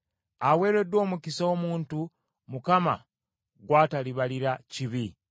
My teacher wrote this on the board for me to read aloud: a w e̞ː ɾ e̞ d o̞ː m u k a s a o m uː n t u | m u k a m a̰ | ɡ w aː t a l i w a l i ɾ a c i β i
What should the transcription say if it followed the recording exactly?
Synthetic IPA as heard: a w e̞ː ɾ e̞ d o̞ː m u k i s a o m uː n t u | m u k a m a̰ | ɡ w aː t a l i β a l i ɾ a c i β i